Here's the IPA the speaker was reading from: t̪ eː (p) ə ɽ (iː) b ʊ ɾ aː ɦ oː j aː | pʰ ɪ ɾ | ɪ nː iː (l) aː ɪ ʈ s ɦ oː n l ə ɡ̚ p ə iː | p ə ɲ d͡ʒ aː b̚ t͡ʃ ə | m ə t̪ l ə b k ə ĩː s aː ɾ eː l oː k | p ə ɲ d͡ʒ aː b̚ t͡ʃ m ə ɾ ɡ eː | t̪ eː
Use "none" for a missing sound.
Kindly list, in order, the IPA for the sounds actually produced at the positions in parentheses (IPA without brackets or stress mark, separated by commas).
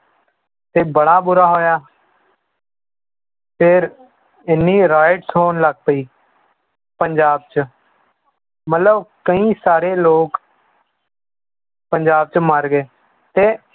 b, aː, ɾ